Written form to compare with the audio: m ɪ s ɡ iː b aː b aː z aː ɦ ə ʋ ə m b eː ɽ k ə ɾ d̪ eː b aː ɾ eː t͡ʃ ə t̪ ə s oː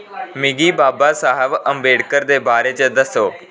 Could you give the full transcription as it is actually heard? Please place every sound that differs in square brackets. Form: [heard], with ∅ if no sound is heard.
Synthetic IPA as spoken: m ɪ [∅] ɡ iː b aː b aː [s] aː ɦ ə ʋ ə m b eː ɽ k ə ɾ d̪ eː b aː ɾ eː t͡ʃ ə [d̪] ə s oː